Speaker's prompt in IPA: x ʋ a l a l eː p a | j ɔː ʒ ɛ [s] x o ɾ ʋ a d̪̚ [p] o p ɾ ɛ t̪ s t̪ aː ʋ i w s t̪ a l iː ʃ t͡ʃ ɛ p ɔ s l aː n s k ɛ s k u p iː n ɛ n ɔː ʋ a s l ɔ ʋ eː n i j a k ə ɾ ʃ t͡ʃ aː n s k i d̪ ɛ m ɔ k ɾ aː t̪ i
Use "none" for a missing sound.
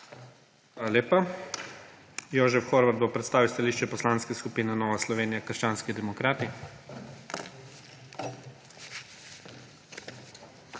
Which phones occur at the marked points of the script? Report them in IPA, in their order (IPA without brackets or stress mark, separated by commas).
f, b